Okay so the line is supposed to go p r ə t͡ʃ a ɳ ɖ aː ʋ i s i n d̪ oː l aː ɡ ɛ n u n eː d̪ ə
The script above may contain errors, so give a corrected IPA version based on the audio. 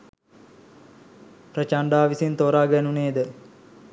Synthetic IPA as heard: p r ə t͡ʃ a ɳ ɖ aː ʋ i s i n t̪ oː ɾ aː ɡ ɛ n u n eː d̪ ə